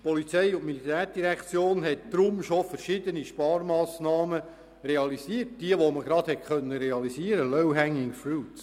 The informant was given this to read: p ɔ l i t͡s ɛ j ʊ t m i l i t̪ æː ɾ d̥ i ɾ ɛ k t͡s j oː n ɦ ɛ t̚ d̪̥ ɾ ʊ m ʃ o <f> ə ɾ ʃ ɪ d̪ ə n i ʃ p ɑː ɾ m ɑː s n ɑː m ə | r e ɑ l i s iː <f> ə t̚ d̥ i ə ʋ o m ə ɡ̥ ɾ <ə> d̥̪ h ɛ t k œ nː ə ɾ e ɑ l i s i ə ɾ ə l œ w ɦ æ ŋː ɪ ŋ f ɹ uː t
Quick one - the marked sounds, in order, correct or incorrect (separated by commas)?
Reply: correct, incorrect, incorrect